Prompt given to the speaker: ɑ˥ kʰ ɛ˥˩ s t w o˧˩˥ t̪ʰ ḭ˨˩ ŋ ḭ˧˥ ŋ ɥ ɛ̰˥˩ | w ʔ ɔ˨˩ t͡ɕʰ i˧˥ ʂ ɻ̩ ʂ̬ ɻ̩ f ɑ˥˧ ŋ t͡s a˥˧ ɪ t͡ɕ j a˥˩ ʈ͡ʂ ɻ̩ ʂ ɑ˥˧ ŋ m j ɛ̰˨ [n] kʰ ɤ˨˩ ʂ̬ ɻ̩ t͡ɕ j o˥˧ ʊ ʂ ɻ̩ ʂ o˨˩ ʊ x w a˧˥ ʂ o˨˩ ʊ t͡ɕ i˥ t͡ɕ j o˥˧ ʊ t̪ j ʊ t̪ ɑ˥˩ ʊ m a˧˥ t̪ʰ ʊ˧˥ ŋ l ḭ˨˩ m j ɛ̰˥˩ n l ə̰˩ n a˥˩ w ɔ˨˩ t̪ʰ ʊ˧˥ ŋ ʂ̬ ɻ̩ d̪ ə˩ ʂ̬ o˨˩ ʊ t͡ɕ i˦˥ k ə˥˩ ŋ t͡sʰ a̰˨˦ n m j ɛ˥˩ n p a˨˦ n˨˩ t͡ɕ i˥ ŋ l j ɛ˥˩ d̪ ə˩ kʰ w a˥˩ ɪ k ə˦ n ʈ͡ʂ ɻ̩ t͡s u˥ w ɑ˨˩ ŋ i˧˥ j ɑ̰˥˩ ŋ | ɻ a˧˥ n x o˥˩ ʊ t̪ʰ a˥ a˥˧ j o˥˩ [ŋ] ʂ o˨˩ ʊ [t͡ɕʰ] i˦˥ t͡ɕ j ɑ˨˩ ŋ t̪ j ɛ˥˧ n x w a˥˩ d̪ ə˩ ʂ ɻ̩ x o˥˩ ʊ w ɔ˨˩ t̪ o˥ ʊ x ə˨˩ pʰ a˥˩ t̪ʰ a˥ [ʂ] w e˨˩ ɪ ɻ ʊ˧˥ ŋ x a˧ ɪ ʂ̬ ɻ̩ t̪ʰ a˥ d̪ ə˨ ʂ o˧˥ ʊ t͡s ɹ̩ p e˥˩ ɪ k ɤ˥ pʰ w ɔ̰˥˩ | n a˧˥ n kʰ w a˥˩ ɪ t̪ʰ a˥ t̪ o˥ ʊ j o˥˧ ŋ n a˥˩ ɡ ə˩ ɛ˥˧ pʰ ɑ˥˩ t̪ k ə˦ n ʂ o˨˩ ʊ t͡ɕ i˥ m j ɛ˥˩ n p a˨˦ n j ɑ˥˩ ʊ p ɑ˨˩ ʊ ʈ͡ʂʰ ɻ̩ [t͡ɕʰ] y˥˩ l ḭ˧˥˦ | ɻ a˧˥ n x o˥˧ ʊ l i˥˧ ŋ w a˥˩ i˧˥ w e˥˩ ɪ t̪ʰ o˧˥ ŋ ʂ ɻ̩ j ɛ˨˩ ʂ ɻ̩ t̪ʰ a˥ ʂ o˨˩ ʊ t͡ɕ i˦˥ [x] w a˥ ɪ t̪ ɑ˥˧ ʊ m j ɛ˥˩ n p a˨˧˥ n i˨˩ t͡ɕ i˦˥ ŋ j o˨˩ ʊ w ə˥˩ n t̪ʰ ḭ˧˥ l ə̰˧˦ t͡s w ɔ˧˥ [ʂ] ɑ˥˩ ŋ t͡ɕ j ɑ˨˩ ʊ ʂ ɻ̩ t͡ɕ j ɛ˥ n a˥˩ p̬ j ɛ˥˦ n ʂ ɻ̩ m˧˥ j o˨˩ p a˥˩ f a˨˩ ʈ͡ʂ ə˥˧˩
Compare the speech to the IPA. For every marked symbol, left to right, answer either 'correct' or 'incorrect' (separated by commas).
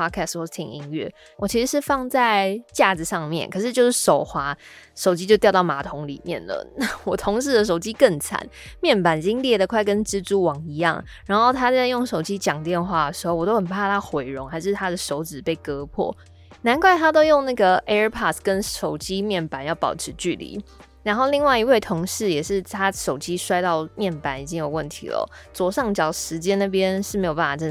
correct, correct, incorrect, incorrect, incorrect, incorrect, correct